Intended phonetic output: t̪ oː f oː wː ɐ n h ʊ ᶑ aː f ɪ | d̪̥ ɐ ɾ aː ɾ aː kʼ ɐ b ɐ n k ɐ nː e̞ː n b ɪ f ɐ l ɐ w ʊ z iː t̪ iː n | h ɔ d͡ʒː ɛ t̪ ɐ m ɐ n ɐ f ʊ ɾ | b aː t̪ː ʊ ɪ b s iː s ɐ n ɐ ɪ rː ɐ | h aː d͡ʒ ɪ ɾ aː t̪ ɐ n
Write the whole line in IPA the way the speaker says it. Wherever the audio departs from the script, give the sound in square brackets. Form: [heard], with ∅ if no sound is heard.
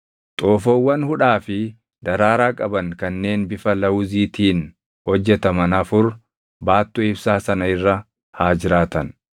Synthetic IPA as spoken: [t̪ʼ] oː f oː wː ɐ n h ʊ ᶑ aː f ɪ | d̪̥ ɐ ɾ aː ɾ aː kʼ ɐ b ɐ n k ɐ nː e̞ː n b ɪ f ɐ l ɐ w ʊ z iː t̪ iː n | h ɔ d͡ʒː ɛ t̪ ɐ m ɐ n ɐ f ʊ ɾ | b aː t̪ː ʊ ɪ b s [aː] s ɐ n ɐ ɪ rː ɐ | h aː d͡ʒ ɪ ɾ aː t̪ ɐ n